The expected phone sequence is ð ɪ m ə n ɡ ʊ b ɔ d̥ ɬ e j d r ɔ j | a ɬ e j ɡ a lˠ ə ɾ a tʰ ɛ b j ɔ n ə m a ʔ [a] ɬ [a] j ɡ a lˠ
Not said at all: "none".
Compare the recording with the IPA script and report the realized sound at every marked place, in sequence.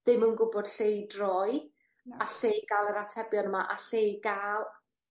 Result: a, e

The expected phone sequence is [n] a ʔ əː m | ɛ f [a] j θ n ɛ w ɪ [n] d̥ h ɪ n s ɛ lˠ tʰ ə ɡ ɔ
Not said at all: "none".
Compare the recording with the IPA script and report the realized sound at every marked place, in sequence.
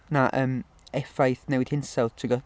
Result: n, a, none

